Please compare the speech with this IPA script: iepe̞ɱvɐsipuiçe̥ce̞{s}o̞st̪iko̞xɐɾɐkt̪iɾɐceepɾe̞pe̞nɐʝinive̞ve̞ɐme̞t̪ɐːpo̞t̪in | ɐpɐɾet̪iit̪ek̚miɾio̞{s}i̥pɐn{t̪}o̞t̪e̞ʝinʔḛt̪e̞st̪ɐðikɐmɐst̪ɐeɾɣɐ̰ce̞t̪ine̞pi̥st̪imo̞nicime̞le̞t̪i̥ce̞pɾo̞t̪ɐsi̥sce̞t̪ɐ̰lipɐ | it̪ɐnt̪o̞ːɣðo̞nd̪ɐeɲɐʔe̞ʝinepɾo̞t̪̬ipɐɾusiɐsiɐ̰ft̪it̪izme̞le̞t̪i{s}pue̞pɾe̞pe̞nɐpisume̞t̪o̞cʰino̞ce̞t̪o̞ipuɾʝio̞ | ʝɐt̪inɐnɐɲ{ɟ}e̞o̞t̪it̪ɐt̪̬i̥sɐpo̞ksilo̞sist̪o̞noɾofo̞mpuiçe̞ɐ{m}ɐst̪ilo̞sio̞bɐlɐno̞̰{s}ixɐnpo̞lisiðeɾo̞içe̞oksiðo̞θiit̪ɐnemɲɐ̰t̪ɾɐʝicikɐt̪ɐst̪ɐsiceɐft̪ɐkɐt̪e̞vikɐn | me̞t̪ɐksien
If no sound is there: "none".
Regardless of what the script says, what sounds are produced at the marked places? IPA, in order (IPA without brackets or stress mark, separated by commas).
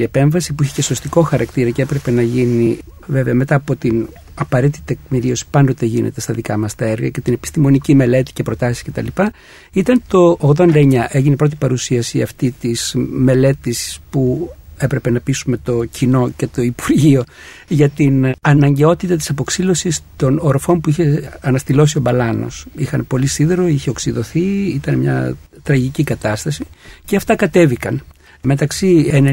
s, s, d̪, s, ɟ, n, s